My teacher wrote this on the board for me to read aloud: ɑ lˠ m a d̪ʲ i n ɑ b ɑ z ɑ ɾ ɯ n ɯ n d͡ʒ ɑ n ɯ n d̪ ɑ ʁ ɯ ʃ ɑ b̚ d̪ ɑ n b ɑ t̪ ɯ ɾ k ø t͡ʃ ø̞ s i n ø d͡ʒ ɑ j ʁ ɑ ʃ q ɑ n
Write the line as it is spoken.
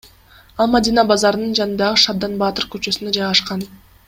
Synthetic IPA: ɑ lˠ m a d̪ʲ i n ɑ b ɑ z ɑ ɾ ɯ n ɯ n d͡ʒ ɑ n ɯ n d̪ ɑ ʁ ɯ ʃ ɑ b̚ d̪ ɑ n b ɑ t̪ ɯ ɾ k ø t͡ʃ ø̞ s y n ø d͡ʒ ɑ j ʁ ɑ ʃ q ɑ n